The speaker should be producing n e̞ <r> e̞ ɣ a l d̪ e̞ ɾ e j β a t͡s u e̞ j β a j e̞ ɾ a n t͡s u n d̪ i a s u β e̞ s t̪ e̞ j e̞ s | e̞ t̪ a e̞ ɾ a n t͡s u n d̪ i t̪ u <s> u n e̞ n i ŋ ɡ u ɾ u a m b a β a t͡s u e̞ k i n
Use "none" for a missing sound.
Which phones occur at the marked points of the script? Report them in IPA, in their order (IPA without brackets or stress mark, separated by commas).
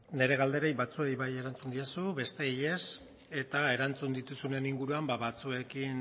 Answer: ɾ, s